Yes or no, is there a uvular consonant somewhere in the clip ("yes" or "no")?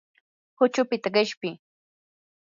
yes